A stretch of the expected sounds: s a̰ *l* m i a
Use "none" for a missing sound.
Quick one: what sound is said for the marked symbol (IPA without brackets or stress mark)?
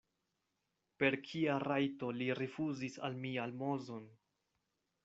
l